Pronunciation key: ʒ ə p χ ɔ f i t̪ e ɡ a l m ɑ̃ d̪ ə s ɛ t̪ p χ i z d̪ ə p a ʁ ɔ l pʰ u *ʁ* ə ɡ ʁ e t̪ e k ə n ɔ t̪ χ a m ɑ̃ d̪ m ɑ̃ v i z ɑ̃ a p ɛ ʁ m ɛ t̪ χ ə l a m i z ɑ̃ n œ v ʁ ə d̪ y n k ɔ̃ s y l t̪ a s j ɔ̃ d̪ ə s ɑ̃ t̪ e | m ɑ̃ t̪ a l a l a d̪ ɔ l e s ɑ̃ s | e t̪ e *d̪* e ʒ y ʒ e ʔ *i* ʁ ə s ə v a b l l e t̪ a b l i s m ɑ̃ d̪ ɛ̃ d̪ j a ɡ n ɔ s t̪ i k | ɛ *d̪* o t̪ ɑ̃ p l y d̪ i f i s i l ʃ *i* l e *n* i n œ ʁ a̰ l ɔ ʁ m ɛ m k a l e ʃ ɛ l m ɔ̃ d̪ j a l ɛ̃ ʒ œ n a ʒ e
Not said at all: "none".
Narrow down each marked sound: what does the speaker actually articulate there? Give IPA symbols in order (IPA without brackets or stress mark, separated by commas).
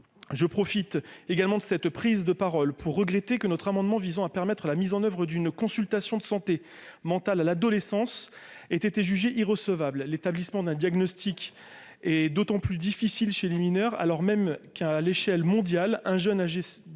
ʁː, t̪, i, d̪, e, m